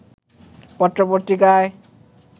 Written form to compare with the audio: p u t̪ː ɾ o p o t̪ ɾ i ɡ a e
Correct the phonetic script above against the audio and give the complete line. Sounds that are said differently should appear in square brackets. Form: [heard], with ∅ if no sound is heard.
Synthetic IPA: p [ɔ] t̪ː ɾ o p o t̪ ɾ i [k] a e